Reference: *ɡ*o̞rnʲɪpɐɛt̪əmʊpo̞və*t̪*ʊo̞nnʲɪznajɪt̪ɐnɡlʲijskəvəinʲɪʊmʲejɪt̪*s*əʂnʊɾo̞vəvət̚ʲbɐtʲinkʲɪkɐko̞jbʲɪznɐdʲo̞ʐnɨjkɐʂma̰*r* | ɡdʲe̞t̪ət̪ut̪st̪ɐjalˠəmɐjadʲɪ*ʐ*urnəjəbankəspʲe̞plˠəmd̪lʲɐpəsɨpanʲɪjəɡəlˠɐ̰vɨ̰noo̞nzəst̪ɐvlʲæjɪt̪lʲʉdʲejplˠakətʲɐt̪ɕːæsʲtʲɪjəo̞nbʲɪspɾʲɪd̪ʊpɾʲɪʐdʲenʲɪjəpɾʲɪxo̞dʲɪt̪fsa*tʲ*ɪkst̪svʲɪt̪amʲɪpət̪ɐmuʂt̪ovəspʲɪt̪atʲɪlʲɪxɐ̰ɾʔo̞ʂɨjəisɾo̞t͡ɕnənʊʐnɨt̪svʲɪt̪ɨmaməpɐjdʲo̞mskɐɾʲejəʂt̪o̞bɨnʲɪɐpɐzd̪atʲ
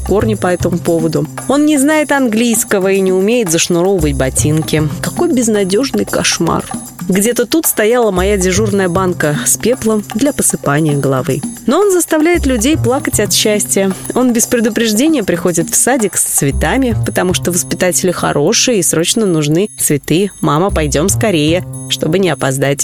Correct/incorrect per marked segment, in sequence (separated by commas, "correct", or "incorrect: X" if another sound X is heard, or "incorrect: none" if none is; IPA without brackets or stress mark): incorrect: k, incorrect: d̪, incorrect: z, correct, correct, incorrect: dʲ